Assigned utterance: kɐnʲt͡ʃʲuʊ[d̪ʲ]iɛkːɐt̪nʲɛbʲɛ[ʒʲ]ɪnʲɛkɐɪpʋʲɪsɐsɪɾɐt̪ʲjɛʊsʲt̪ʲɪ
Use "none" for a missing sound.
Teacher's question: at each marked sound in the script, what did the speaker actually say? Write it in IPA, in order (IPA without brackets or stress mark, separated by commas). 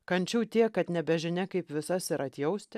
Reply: t̪ʲ, ʒʲ